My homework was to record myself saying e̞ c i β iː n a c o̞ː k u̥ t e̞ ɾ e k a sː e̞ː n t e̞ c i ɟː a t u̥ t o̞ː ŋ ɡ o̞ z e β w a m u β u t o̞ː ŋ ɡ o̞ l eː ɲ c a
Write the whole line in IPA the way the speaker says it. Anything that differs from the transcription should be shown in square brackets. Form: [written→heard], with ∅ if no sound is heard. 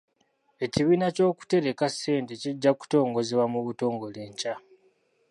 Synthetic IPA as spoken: e̞ c i β iː n a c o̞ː k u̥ t e̞ ɾ e k a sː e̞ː n t e̞ c i ɟː a [t→k] u̥ t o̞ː ŋ ɡ o̞ z e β w a m u β u t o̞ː ŋ ɡ o̞ l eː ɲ c a